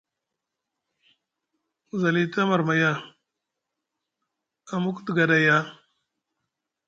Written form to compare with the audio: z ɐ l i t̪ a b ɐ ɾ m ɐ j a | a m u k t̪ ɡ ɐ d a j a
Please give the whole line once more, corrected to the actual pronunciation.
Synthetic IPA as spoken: z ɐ l i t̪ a m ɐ ɾ m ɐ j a | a m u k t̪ ɡ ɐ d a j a

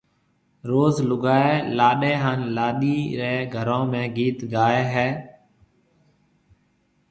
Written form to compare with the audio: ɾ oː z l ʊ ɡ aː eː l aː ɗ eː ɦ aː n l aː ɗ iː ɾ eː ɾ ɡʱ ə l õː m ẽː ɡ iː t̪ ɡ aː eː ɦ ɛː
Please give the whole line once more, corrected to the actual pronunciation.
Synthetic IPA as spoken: ɾ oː z l ʊ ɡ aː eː l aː ɗ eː ɦ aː n l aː ɗ iː ɾ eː ɡʱ ə ɾ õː m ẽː ɡ iː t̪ ɡ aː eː ɦ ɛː

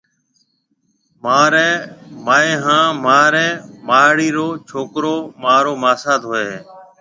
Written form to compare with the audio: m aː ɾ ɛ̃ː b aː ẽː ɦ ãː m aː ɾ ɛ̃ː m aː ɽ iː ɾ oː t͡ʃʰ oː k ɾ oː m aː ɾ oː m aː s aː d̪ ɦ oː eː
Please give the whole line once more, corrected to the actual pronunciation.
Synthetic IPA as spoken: m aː ɾ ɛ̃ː m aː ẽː ɦ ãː m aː ɾ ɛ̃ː m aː ɽ iː ɾ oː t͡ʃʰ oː k ɾ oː m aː ɾ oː m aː s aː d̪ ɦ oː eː

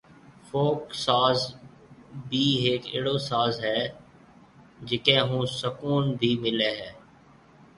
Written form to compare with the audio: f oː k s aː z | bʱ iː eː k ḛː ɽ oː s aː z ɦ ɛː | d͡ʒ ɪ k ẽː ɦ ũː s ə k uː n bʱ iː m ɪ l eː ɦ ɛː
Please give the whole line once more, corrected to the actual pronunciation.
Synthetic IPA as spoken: f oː k s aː z | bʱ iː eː k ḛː ɽ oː s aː z ɦ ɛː | d͡ʒ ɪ k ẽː ɦ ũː s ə k uː n bʱ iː m ɪ l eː ɦ ɛː

